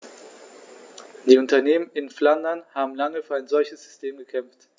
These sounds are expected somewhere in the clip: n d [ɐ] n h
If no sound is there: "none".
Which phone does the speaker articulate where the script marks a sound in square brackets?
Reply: ɐ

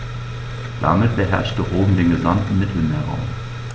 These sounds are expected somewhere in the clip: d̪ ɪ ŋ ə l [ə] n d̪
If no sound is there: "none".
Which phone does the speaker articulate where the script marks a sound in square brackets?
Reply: ɑ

